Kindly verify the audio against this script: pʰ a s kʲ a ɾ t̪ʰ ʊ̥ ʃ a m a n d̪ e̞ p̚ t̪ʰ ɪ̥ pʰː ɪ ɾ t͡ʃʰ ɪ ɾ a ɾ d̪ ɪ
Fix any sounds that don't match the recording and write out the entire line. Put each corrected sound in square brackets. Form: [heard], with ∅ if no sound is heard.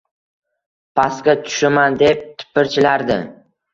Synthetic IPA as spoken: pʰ a s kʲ a [∅] t̪ʰ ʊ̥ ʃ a m a n d̪ e̞ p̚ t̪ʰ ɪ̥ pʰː ɪ ɾ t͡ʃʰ ɪ [l] a ɾ d̪ ɪ